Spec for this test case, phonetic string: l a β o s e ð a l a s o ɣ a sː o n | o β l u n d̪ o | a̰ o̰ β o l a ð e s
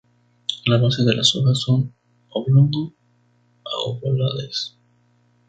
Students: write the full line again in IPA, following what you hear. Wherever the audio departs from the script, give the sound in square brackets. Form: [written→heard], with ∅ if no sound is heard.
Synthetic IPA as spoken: l a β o s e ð [a→e] l a s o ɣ a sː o n | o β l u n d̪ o | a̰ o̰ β o l a ð e s